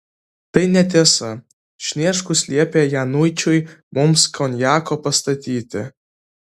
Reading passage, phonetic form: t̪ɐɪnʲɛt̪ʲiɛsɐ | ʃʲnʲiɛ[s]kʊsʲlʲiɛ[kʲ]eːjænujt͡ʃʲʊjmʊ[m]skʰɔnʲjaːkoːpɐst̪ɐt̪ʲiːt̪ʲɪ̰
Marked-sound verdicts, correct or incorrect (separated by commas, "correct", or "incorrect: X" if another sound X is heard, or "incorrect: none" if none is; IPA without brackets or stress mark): incorrect: ʃ, incorrect: pʲ, correct